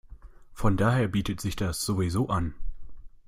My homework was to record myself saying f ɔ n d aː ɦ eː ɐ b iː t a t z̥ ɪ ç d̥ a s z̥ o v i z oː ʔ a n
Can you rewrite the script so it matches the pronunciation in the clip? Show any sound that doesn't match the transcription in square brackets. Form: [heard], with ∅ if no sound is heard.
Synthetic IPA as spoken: f ɔ n d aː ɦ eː ɐ b iː t [ə] t z̥ ɪ ç d̥ a s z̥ o v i z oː ʔ a n